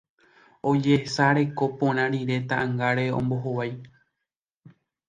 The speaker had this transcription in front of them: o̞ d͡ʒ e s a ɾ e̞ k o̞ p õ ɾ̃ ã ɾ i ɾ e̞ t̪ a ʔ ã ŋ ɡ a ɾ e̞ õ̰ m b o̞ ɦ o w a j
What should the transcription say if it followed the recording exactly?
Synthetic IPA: o̞ d͡ʒ e s a ɾ e̞ k o̞ p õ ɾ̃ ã ɾ i ɾ e̞ t̪ a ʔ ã ŋ ɡ a ɾ e̞ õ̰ m b o̞ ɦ o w a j